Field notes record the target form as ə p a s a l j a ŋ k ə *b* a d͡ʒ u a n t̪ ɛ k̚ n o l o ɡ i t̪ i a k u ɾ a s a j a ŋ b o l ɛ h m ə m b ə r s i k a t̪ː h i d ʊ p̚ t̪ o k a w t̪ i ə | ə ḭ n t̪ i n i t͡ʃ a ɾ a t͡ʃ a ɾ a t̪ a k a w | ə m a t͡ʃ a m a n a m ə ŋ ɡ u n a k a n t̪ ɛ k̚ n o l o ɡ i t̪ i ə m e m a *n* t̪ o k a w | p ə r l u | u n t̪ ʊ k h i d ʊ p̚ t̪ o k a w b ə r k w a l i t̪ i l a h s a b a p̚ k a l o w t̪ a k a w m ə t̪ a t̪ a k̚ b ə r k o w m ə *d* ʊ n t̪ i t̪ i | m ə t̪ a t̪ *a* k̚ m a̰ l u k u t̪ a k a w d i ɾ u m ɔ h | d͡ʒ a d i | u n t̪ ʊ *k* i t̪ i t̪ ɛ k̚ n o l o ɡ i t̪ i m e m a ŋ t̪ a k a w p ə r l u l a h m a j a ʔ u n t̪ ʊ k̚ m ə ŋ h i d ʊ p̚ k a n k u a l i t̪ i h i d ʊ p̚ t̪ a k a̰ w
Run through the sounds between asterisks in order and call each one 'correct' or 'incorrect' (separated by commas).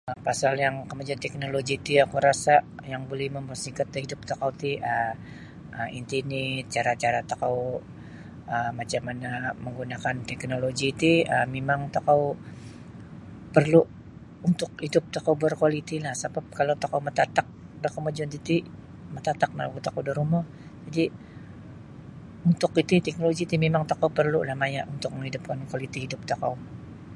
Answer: incorrect, incorrect, incorrect, correct, correct